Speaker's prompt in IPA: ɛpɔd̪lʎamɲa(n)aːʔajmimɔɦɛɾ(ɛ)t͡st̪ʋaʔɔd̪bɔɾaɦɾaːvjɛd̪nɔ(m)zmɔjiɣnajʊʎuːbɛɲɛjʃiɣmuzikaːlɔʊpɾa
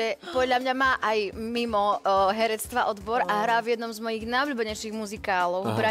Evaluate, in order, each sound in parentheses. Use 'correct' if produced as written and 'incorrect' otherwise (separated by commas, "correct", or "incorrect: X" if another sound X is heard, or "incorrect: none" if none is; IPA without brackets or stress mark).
incorrect: m, correct, correct